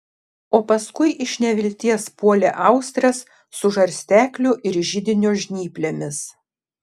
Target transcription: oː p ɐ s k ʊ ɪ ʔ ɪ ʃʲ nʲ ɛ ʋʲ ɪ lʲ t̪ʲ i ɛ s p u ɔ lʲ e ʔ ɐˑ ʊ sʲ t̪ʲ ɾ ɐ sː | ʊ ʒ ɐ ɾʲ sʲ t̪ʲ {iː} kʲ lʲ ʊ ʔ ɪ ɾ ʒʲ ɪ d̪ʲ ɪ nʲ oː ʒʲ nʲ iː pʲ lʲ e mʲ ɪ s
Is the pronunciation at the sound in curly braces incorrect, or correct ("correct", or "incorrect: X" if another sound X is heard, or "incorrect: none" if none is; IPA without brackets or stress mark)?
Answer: incorrect: æː